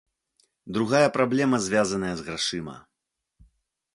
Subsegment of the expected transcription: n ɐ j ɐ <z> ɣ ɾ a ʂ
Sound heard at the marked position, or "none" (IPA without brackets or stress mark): z